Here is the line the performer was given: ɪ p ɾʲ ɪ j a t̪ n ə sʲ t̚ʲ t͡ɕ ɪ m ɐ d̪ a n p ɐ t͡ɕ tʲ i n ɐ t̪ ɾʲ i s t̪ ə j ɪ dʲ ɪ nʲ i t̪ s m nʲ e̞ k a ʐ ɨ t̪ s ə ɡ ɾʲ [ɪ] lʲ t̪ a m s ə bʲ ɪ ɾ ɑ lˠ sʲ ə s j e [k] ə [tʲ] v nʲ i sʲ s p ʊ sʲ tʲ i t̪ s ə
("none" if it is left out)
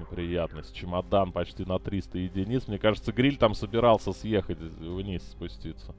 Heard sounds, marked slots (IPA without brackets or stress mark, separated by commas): i, x, tʲ